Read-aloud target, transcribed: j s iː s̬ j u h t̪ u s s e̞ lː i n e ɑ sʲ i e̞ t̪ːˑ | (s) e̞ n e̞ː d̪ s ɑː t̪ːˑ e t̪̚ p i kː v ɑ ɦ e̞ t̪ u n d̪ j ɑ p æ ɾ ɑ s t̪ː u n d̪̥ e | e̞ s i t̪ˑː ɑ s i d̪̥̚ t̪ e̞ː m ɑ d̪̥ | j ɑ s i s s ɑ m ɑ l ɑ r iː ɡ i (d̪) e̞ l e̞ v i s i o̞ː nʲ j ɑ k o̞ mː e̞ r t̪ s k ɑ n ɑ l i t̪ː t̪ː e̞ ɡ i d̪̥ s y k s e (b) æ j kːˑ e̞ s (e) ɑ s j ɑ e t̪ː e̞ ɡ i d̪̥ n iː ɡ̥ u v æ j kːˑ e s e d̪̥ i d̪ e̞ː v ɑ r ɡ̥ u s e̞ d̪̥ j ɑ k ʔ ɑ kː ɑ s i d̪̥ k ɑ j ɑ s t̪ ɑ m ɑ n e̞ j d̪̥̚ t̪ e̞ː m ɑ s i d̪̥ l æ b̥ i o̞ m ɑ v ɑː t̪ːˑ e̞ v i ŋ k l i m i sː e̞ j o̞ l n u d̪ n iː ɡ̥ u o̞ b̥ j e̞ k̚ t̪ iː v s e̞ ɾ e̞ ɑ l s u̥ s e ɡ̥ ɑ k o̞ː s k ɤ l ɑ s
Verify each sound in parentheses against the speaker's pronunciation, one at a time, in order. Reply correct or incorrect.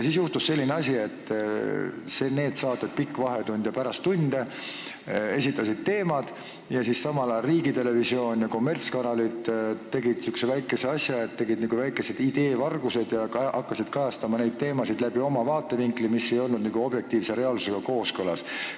correct, incorrect, incorrect, correct

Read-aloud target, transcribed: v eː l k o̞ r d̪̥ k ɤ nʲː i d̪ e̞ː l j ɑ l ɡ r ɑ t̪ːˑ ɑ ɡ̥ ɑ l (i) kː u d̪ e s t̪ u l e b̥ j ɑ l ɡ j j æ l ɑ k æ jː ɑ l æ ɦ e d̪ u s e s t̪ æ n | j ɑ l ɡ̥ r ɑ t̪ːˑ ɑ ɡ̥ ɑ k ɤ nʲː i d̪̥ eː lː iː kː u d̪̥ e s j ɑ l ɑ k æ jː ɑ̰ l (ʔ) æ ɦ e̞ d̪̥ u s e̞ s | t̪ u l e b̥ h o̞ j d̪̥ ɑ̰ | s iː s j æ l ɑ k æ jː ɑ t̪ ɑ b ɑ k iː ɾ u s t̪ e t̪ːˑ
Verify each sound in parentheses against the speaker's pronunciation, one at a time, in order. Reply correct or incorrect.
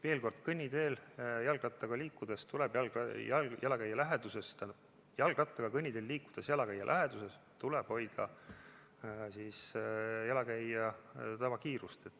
incorrect, correct

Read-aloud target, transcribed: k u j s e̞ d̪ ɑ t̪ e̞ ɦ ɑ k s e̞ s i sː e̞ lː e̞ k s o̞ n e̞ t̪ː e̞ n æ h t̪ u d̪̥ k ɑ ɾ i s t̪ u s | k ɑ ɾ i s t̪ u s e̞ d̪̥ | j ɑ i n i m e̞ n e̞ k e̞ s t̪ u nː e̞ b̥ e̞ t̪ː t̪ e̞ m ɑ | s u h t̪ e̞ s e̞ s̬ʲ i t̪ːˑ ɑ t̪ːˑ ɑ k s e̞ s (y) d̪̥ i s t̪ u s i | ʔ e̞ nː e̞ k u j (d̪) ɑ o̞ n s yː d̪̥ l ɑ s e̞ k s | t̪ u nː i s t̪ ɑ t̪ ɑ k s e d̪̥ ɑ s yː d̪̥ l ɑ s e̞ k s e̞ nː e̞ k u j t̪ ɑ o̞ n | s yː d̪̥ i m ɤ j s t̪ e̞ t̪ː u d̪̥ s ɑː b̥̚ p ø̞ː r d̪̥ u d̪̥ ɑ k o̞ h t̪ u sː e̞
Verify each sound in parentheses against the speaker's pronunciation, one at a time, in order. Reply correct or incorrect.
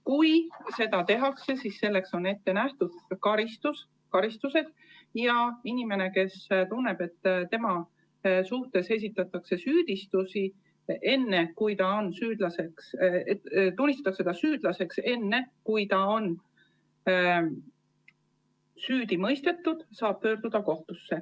incorrect, incorrect

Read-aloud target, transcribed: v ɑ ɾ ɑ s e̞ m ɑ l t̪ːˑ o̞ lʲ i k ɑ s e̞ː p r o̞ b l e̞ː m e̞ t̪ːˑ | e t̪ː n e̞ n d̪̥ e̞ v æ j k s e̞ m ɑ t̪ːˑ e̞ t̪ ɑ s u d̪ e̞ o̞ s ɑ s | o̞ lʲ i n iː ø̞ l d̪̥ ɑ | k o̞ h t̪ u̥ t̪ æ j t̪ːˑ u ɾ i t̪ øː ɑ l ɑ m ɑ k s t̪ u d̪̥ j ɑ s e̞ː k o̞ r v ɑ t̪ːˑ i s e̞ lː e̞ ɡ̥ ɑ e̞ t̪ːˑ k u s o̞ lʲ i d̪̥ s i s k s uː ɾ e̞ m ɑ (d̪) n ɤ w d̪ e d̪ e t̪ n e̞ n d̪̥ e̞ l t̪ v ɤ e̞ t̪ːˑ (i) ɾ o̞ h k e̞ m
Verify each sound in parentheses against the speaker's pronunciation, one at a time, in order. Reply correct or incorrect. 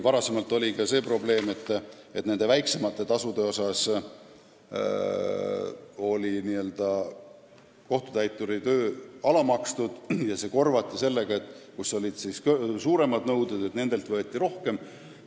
correct, correct

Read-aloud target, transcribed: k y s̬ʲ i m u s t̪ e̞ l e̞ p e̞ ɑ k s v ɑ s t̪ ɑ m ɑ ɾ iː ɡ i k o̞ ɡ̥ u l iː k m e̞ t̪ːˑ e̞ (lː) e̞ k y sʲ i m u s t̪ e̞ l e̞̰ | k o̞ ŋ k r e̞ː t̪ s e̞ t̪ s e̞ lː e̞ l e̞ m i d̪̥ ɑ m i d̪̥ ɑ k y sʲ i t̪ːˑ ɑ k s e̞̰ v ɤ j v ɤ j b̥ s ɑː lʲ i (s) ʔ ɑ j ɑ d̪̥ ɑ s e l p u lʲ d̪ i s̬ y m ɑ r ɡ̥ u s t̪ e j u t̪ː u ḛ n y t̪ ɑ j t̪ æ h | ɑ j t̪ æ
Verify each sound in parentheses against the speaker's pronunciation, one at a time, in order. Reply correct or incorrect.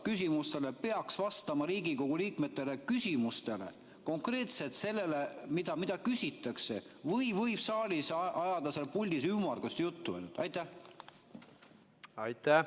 incorrect, correct

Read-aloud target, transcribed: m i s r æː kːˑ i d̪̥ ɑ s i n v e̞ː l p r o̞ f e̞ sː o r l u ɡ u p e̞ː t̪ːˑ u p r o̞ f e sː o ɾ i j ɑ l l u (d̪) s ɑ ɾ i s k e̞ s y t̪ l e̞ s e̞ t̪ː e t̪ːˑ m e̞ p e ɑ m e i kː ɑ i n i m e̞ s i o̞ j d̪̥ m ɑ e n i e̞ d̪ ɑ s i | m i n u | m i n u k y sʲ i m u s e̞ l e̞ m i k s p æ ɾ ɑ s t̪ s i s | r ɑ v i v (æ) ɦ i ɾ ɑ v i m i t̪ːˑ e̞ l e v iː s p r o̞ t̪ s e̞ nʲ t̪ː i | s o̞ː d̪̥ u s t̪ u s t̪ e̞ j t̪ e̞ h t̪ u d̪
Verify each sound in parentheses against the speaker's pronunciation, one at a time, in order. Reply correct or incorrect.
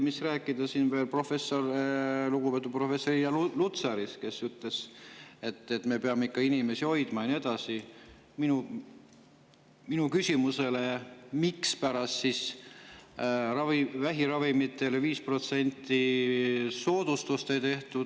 incorrect, correct

